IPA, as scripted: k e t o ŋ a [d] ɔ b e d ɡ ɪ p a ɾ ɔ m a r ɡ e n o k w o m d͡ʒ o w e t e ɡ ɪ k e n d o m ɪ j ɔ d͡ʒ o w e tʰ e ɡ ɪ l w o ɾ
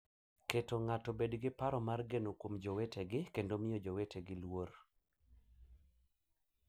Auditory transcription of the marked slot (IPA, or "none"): t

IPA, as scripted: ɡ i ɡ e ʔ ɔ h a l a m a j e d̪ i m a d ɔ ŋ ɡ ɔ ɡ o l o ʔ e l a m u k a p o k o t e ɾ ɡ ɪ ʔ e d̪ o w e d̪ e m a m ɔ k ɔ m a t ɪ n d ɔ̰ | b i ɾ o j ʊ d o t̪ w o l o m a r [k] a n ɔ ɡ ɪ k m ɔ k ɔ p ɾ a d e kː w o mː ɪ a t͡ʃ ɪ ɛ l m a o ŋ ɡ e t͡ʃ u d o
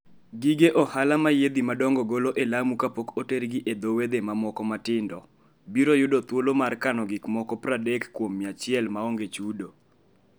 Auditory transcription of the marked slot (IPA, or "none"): k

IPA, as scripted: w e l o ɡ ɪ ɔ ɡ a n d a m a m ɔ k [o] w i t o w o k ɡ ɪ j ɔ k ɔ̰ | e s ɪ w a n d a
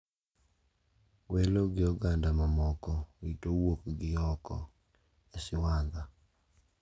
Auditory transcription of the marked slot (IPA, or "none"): ɔ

